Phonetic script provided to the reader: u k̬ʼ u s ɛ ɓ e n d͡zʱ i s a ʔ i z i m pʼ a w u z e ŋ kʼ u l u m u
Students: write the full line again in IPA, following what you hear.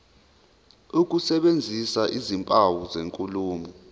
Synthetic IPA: u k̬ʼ u s ɛ ɓ e n d͡zʱ i s a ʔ i z i m pʼ a w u z e ŋ kʼ u l uː m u